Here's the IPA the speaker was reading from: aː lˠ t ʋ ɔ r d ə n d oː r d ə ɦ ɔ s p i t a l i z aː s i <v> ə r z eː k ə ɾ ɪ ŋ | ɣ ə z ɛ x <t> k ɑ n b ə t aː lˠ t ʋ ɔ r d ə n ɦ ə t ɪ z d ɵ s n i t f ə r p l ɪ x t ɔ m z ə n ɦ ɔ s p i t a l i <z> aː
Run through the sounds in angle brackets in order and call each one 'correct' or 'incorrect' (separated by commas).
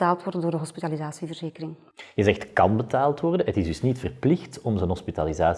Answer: correct, correct, correct